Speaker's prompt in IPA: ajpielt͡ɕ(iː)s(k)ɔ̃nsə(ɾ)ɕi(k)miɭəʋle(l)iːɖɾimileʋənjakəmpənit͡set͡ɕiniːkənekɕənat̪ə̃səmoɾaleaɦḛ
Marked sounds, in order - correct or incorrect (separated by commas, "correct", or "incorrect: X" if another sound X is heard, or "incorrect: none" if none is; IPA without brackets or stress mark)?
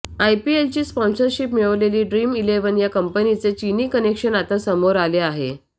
correct, incorrect: p, correct, incorrect: p, correct